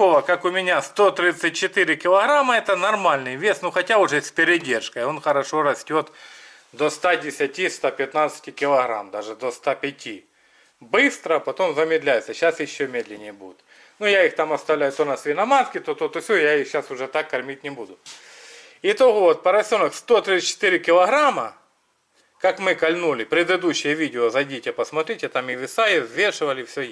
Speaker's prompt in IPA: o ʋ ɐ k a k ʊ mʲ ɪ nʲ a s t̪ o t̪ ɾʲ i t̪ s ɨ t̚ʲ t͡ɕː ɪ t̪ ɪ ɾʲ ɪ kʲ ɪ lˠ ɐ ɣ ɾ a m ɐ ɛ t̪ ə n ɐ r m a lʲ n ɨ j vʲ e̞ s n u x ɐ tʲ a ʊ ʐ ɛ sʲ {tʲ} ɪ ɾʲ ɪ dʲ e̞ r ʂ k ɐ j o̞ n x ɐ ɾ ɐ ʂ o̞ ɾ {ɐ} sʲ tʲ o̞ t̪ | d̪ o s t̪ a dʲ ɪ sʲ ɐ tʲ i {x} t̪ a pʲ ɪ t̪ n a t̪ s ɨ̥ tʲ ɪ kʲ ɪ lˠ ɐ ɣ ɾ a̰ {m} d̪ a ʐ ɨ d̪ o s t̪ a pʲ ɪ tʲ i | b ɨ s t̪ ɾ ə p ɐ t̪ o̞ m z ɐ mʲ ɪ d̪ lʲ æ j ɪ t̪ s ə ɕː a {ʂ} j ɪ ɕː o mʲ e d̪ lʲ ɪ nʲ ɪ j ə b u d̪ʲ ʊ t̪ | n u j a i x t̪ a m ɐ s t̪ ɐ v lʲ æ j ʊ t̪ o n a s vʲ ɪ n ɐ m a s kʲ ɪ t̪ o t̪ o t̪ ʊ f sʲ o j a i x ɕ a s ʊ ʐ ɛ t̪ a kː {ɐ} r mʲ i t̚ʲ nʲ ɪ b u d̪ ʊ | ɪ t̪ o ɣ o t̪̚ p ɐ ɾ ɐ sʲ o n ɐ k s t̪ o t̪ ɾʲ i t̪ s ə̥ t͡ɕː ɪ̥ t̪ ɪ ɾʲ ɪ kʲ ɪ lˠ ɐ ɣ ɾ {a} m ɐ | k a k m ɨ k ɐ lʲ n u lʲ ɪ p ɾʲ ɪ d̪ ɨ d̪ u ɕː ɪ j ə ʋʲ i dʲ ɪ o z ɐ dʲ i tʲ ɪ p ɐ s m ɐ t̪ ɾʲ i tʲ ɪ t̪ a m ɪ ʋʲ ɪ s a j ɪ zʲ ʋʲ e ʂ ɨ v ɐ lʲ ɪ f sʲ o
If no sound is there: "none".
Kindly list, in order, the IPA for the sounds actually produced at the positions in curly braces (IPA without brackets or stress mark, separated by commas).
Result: pʲ, ɐ, s, m, s, ɐ, a